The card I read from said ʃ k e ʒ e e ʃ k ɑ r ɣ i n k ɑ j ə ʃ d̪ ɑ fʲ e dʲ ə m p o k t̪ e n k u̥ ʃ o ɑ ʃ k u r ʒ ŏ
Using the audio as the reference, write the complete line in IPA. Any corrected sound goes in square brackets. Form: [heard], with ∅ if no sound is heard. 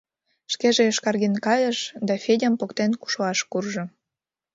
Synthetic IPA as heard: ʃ k e ʒ e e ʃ k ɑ r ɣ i n k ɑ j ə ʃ d̪ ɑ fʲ e dʲ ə m p o k t̪ e n k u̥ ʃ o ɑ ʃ k u r ʒ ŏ